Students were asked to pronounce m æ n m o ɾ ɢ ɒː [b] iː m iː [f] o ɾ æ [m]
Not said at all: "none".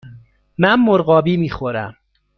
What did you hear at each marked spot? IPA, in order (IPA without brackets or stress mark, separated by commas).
b, x, m